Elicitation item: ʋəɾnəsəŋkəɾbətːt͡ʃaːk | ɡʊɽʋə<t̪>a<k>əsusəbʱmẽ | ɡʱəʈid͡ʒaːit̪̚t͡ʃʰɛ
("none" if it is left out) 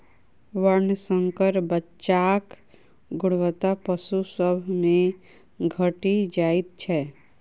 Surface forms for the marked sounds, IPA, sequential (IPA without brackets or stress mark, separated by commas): t̪, p